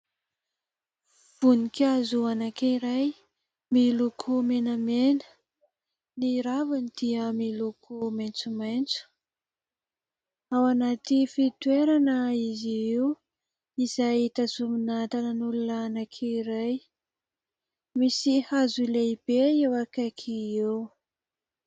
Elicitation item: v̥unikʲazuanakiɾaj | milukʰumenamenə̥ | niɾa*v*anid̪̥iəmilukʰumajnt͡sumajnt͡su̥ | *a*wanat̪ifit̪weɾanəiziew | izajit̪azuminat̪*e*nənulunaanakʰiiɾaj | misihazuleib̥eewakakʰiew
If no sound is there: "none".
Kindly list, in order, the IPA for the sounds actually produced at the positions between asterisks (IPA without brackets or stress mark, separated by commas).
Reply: v, a, a